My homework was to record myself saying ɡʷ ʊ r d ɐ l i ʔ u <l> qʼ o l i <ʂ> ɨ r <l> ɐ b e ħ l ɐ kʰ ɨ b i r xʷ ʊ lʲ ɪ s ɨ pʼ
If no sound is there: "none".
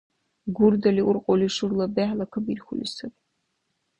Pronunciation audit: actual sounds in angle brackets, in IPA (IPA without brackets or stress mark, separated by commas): r, ʂ, l